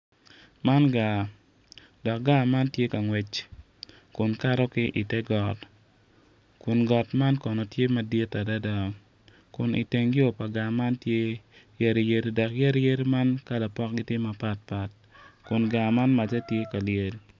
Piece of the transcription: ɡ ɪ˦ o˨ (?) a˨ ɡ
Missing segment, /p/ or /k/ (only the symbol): p